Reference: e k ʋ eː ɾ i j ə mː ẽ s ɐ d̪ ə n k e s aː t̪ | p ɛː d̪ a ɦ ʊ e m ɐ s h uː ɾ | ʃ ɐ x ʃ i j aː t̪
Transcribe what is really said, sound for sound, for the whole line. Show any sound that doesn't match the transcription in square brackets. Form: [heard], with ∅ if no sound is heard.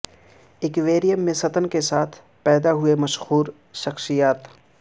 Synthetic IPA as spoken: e k ʋ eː ɾ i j ə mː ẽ s ɐ [t̪] ə n k e s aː [t̪ʰ] | p ɛː d̪ a ɦ ʊ e m ɐ [ʃ] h uː ɾ | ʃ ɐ x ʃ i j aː t̪